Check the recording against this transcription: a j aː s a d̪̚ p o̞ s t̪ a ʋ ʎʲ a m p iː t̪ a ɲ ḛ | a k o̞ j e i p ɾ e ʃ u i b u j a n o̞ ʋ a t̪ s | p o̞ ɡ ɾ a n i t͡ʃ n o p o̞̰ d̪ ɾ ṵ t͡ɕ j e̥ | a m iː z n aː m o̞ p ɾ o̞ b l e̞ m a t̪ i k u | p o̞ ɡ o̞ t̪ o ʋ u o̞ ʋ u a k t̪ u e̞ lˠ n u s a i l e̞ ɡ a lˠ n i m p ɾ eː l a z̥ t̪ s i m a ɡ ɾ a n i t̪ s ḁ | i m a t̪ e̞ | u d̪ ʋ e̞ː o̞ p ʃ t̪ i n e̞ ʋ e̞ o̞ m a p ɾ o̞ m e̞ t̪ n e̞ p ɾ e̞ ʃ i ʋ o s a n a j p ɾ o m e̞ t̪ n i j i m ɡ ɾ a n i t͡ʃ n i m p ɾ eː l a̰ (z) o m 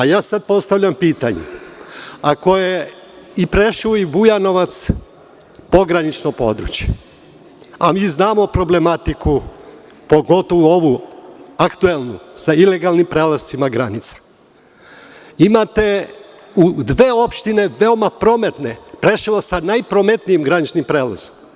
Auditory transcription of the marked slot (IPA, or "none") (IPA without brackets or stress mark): z